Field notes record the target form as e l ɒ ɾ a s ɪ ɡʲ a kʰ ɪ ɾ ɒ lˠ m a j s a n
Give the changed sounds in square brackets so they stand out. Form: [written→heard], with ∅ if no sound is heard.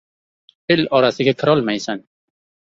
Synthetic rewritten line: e l ɒ ɾ a s ɪ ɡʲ a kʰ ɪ ɾ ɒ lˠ m a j s a n